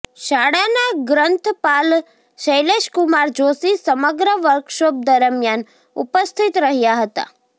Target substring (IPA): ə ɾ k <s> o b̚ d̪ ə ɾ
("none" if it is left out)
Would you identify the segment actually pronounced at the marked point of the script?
ʃ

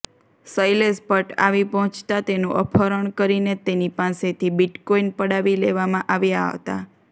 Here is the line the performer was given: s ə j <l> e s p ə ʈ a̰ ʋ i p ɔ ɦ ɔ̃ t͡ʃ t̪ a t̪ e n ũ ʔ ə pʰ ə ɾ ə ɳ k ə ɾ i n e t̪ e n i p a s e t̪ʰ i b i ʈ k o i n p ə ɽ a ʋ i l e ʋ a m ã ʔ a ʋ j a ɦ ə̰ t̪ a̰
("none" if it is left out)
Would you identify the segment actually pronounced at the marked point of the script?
l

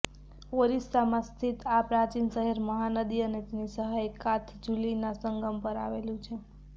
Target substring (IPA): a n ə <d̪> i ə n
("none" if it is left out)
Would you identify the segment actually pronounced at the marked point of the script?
d̪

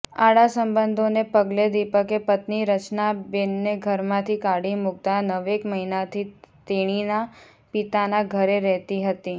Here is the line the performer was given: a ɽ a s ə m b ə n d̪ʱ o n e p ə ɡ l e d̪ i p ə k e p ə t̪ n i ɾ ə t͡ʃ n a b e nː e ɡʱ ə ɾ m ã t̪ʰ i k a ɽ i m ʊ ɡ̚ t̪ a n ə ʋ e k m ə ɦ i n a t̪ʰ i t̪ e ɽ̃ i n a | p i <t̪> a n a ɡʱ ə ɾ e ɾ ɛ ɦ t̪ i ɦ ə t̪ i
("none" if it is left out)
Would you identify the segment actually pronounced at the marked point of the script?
t̪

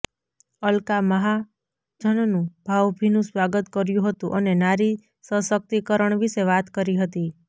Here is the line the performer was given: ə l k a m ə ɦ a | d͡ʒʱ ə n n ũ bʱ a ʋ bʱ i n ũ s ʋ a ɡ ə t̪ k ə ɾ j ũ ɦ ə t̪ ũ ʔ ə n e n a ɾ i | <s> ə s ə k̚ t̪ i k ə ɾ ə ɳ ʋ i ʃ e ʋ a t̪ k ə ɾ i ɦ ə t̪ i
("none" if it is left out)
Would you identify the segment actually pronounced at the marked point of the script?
s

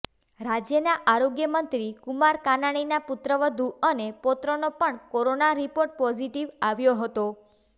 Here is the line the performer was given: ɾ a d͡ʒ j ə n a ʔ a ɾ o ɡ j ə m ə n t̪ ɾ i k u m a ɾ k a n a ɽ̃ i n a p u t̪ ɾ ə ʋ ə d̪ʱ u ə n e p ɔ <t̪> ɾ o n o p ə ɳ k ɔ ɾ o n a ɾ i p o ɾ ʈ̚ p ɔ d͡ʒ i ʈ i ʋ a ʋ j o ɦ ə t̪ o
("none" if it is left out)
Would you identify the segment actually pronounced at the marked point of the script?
t̪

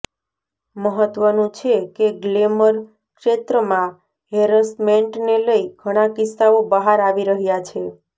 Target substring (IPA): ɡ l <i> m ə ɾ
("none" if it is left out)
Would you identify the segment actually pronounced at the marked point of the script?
e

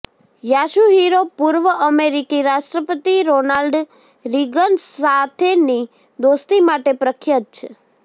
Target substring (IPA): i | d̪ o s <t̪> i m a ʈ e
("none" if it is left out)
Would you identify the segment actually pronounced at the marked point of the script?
t̪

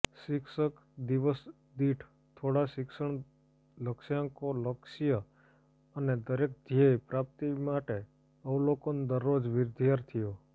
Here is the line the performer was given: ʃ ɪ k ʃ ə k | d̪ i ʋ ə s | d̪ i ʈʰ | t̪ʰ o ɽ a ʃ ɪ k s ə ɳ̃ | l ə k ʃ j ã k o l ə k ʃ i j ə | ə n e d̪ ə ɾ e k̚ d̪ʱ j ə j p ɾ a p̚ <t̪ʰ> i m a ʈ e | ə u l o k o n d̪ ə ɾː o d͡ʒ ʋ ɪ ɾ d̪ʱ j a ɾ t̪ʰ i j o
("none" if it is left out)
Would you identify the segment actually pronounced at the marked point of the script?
t̪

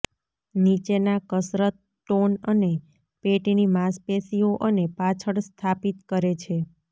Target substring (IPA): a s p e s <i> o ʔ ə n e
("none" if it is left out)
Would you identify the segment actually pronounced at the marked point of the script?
i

